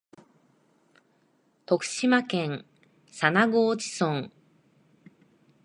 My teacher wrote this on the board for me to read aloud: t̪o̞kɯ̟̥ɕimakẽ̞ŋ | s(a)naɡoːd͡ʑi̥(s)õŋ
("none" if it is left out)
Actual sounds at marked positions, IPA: a, s

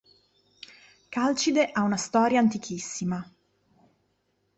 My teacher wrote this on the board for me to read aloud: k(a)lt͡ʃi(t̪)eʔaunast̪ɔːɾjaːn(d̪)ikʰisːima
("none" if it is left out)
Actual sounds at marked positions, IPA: a, d̪, t̪

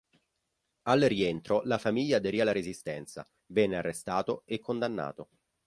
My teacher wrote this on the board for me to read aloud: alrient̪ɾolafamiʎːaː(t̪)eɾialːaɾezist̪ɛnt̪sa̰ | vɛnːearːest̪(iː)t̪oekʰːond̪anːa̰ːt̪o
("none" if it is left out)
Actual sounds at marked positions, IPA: d̪, aː

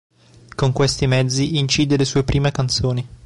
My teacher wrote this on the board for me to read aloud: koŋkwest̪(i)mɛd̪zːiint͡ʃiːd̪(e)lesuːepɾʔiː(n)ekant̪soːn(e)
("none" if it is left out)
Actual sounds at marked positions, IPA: i, e, m, i

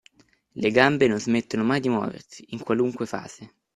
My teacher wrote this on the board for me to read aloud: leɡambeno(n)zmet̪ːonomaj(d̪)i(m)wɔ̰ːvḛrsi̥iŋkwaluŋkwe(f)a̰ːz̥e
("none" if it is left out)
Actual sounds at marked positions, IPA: n, d̪, m, f

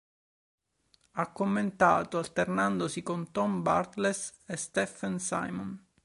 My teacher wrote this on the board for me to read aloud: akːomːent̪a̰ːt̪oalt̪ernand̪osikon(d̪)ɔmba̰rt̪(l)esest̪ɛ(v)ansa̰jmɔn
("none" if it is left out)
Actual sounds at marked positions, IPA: t̪, l, f

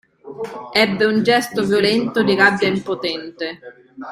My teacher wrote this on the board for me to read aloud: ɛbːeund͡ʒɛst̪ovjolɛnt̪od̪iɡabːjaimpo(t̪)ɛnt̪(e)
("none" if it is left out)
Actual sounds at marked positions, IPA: t̪, e

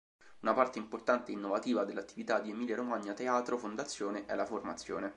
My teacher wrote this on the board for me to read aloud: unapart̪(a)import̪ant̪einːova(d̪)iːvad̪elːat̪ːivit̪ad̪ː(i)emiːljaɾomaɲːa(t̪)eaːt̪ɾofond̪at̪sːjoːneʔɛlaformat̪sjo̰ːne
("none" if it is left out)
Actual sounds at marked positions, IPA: e, t̪, i, t̪

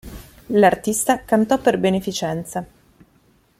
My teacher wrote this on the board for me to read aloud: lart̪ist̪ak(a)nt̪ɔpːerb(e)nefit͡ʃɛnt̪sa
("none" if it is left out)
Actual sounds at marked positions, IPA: a, e

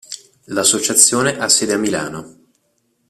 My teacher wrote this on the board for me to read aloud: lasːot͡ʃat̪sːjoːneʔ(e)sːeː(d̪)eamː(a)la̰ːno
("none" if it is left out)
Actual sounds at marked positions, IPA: a, d̪, i

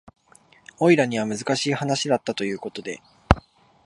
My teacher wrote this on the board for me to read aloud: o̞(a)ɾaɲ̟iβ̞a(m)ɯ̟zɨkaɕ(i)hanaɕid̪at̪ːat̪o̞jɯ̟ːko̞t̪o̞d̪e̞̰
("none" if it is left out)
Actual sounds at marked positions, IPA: i, m, iː

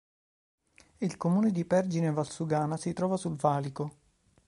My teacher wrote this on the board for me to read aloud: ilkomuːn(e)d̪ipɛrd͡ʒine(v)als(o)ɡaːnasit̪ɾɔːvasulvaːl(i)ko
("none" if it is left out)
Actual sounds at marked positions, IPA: e, v, u, i

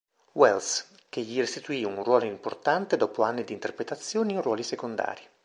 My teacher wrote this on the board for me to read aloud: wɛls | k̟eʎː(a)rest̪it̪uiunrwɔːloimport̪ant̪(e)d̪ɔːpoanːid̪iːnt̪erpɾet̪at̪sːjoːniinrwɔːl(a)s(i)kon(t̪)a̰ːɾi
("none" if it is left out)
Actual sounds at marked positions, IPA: i, e, i, e, d̪

